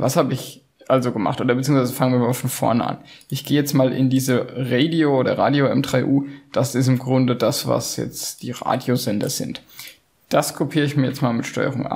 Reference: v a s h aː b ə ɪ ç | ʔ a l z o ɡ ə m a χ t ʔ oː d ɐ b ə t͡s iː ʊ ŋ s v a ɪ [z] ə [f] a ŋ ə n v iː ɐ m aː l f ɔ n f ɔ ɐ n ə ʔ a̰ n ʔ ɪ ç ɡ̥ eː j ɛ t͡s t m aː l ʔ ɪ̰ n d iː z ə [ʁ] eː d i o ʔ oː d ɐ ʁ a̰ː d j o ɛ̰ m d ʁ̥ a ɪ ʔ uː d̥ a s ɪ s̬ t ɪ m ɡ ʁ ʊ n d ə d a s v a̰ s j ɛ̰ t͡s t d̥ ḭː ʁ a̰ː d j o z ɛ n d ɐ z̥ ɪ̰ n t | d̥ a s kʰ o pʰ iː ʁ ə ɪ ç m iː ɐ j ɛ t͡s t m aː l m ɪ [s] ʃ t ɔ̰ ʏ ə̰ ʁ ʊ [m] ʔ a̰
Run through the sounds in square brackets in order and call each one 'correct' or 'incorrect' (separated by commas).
correct, correct, correct, incorrect, incorrect